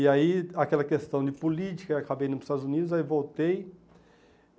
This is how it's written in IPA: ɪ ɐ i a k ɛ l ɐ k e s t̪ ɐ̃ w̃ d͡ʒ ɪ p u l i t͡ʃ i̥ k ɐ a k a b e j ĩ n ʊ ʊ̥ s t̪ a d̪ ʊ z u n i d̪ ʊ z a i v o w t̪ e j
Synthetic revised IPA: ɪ a i a k ɛ l ɐ k e s t̪ ɐ̃ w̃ d͡ʒ ɪ p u l i t͡ʃ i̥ k ɐ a k a b e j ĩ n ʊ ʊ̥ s t̪ a d̪ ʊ z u n i d̪ ʊ z a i v o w t̪ e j